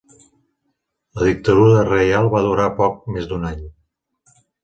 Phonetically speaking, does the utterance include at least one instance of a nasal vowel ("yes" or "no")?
no